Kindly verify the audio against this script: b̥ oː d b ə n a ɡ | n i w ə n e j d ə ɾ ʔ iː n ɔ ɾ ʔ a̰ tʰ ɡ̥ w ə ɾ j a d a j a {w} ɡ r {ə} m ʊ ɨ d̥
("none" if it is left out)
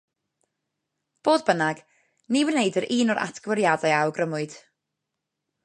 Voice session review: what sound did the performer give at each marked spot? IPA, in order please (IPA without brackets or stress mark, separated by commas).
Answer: w, ə